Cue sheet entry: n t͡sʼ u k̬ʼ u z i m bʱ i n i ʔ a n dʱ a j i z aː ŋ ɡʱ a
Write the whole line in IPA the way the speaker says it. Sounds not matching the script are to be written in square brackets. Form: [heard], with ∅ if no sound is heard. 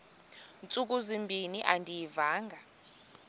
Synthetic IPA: n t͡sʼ u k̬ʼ u z i m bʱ i n i ʔ a n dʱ [i] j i [v] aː ŋ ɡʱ a